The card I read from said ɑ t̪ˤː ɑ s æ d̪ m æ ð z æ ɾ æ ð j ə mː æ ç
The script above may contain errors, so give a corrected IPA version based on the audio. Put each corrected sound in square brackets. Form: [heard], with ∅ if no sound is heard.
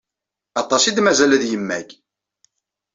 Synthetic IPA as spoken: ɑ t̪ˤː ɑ s [i] d̪ m æ [∅] z æ [l] æ ð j ə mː æ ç